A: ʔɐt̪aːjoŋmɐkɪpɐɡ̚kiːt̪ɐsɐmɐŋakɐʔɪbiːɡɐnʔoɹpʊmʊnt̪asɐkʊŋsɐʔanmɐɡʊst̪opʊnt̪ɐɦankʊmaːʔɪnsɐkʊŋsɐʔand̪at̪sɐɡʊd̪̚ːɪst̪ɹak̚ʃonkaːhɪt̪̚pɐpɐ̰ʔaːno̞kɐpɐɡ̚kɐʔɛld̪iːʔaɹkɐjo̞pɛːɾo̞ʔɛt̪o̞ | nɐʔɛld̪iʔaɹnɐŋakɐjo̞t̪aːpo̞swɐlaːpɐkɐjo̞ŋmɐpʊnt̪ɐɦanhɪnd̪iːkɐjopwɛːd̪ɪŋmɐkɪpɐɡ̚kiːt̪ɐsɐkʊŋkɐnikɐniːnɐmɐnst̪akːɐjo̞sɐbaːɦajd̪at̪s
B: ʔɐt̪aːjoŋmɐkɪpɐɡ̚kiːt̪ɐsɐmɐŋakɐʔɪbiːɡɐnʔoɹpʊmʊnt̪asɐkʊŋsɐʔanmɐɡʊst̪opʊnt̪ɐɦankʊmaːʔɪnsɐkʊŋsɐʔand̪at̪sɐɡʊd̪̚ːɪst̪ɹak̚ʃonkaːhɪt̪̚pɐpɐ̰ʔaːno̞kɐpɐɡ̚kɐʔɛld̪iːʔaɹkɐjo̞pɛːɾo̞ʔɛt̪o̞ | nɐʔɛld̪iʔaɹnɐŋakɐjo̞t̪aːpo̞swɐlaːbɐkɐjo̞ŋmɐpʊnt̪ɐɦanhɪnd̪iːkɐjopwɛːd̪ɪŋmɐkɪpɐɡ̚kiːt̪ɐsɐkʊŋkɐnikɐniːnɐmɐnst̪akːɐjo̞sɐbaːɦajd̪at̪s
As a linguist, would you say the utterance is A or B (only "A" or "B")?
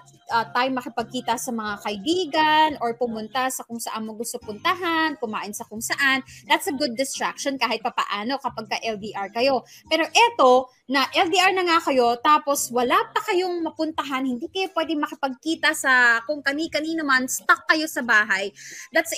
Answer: A